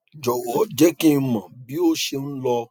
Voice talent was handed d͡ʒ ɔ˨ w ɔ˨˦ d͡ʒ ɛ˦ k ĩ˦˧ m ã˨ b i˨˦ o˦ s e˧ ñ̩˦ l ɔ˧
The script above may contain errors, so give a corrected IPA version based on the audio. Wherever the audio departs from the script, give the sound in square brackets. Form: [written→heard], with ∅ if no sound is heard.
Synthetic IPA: d͡ʒ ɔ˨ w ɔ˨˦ d͡ʒ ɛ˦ k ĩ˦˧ m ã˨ b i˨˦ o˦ [s→ʃ] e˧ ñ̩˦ l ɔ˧